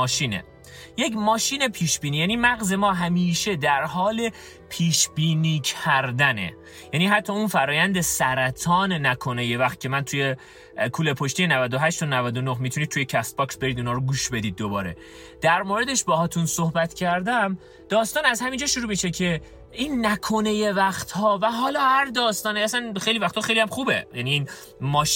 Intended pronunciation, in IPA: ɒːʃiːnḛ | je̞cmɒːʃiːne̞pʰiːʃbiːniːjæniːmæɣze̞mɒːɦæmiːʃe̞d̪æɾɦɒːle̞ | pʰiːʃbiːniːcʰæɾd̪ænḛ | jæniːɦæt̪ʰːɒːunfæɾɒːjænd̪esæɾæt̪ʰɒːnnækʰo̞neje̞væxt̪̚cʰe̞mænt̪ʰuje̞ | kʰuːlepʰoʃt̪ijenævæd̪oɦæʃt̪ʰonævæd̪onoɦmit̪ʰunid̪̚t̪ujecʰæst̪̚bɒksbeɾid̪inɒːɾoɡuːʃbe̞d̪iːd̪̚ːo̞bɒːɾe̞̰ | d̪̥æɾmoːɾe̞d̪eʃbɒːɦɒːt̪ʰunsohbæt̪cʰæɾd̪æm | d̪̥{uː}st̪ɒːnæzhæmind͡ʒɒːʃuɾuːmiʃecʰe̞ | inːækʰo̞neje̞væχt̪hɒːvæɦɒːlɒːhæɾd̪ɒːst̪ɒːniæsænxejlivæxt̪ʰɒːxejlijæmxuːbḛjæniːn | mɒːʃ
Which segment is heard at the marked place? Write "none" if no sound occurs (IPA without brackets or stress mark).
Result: ɒː